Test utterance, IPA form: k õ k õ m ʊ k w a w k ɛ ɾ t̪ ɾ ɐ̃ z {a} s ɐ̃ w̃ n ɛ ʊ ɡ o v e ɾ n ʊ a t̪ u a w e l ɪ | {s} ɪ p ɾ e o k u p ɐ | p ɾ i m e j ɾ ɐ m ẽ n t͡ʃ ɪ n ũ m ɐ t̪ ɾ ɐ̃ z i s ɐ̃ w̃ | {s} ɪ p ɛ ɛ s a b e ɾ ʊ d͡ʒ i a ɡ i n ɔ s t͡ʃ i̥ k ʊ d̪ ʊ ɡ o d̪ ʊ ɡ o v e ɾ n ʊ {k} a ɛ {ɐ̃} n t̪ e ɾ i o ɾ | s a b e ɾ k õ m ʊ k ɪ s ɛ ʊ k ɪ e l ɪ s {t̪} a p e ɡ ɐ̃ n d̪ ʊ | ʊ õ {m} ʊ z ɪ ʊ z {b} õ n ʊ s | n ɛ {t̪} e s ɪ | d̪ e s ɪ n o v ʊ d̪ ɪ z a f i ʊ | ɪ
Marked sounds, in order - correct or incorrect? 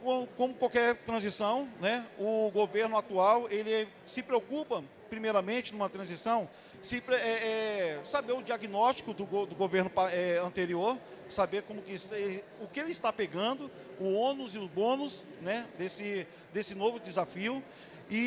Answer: incorrect: i, correct, correct, incorrect: p, correct, correct, incorrect: n, correct, incorrect: d̪

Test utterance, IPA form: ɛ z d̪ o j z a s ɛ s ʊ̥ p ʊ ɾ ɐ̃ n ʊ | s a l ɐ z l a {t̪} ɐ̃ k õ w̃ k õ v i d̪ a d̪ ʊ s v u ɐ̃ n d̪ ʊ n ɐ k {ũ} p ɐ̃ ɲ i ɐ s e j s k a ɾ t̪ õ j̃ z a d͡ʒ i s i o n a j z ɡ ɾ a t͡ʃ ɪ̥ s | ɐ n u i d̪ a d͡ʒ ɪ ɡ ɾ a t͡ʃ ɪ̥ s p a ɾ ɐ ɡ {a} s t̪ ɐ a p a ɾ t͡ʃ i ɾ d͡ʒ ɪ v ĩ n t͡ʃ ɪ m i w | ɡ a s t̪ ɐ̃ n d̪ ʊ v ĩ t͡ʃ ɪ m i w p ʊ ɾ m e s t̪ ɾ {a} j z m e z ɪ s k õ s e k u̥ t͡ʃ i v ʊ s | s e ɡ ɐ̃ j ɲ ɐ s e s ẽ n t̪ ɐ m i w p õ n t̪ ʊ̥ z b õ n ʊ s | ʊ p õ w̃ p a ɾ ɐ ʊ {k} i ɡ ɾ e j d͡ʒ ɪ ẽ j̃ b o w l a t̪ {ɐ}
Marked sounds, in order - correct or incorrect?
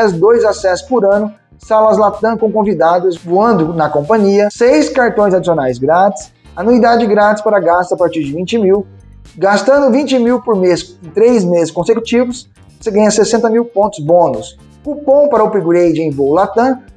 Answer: correct, incorrect: õ, correct, incorrect: e, incorrect: p, incorrect: ɐ̃

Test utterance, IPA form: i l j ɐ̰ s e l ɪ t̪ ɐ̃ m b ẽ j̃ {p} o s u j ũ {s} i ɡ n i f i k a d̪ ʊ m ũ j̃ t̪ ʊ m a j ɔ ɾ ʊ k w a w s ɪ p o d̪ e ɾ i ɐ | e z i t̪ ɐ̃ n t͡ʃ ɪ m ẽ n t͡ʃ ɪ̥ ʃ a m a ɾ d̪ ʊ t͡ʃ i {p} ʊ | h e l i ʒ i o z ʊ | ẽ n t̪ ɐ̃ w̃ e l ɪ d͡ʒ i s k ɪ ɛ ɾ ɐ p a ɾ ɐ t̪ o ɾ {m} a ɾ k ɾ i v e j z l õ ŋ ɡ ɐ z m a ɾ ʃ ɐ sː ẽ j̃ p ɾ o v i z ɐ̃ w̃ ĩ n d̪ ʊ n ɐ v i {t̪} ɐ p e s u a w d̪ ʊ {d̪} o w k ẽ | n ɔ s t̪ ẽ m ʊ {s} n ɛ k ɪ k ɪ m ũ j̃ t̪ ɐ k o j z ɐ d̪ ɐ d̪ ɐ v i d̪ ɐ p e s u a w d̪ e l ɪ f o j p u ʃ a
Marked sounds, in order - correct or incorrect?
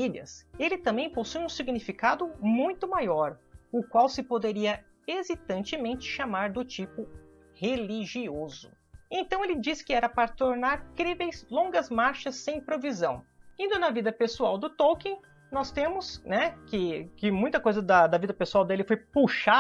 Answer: correct, correct, correct, incorrect: n, incorrect: d̪, incorrect: t̪, correct

